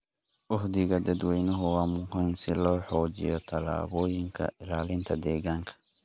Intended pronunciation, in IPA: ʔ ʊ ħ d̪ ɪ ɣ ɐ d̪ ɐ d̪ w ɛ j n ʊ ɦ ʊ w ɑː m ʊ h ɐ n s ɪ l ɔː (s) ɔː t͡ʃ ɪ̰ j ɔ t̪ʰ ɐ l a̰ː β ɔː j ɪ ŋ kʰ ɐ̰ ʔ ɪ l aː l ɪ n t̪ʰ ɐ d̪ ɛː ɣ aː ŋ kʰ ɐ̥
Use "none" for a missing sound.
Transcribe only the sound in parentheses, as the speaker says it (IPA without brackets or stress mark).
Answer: ħ